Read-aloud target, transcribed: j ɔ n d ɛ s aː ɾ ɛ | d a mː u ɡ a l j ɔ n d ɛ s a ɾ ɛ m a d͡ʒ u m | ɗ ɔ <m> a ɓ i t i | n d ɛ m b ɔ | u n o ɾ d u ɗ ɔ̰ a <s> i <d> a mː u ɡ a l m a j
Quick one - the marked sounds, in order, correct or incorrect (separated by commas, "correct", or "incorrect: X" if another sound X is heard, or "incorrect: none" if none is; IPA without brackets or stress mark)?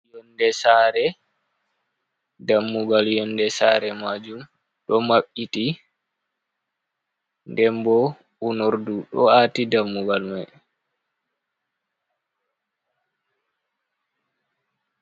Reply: correct, incorrect: t, correct